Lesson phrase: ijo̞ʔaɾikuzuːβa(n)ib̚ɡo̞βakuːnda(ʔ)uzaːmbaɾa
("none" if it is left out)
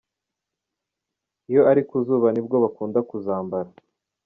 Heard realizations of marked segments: n, k

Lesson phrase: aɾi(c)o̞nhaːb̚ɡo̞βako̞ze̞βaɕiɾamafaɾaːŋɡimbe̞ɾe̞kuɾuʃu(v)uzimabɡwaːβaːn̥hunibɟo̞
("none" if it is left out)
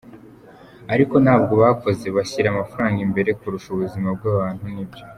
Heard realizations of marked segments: k, β

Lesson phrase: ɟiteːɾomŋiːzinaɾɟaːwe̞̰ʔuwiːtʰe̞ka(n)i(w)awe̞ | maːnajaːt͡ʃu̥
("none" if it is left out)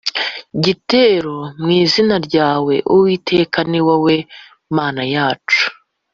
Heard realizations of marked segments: n, w

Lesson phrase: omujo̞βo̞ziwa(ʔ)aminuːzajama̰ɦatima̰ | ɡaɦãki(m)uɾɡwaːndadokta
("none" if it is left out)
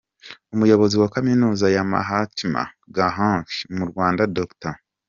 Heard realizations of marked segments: k, m

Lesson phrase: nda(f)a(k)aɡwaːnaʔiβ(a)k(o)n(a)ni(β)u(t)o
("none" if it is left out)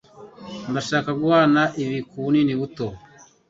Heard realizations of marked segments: ʃ, k, i, u, i, β, t

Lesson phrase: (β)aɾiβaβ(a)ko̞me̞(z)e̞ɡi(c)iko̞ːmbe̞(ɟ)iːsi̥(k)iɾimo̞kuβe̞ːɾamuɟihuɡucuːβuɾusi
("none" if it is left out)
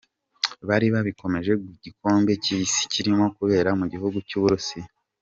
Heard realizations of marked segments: β, i, ʒ, ɟ, c, c

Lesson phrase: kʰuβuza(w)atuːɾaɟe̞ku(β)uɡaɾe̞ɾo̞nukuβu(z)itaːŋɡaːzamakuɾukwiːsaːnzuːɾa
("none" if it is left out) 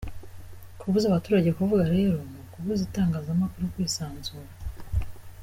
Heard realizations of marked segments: β, v, z

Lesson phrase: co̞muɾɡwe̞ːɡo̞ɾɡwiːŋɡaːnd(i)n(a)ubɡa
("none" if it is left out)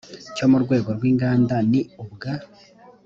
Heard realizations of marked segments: a, i

